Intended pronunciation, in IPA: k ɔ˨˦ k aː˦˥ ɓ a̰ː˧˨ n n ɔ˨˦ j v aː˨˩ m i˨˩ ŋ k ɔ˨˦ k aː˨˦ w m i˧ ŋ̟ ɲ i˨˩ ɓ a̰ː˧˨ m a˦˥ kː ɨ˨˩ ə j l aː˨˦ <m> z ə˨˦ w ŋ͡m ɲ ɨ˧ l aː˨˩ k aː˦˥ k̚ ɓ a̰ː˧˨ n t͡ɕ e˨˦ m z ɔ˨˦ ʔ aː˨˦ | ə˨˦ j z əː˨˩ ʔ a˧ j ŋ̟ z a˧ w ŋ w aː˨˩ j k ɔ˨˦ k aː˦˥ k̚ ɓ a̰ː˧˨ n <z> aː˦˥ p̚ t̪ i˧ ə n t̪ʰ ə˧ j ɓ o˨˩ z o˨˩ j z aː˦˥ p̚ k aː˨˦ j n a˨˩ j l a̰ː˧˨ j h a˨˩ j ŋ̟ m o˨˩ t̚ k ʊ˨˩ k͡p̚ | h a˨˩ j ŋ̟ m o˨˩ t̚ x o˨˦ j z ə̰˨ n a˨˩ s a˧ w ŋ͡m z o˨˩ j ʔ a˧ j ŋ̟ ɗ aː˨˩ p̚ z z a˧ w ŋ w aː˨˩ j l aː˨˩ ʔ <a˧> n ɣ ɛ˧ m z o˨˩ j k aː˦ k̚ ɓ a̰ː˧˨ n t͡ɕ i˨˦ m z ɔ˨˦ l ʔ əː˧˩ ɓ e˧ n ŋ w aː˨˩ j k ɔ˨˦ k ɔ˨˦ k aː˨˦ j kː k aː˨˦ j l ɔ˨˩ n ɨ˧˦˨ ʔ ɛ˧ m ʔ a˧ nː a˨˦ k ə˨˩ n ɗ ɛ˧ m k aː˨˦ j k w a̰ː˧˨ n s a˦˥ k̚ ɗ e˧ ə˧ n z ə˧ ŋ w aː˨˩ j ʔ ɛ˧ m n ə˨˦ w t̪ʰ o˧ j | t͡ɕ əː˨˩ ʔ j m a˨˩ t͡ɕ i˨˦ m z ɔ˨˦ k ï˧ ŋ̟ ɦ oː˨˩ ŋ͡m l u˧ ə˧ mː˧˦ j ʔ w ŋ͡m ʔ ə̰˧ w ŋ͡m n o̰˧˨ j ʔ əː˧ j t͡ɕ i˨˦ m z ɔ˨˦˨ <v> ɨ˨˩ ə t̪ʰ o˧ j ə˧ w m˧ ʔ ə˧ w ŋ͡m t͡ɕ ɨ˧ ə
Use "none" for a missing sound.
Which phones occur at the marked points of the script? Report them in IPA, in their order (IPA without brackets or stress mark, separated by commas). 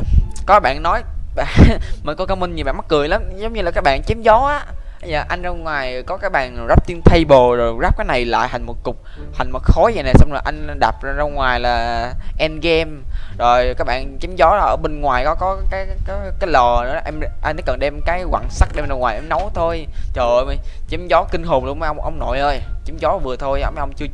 m, z, ɛ˧, v